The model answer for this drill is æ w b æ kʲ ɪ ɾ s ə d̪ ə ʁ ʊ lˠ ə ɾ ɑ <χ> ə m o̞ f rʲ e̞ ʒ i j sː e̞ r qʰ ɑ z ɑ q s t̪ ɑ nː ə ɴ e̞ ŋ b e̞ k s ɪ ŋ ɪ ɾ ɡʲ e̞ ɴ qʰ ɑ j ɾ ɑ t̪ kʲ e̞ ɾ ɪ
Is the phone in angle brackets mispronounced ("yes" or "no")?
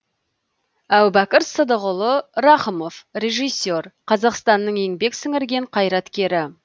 no